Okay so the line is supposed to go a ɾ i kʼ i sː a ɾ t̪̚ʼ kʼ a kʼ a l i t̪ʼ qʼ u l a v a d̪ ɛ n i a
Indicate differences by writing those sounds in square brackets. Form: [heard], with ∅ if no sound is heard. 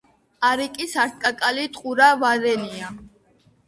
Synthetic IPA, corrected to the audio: a ɾ i kʼ i [s] a ɾ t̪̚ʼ kʼ a kʼ a l i t̪ʼ qʼ u [ɾ] a v a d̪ ɛ n i a